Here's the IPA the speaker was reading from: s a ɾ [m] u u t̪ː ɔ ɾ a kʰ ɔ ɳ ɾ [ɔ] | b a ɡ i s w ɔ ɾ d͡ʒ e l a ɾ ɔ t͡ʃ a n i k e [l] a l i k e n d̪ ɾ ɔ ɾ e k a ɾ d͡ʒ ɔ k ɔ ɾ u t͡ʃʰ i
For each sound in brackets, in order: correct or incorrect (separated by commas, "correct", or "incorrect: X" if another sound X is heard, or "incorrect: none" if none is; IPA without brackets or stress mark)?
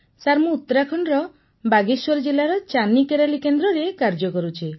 correct, correct, incorrect: ɾ